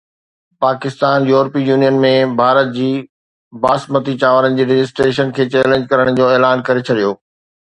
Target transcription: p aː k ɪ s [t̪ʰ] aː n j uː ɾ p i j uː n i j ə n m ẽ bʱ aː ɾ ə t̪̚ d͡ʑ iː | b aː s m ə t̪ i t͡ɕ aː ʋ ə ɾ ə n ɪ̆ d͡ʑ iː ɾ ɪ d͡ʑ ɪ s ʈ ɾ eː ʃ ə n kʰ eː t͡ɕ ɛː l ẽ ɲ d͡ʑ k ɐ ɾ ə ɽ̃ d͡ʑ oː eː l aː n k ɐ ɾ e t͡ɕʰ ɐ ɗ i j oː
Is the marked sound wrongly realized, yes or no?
yes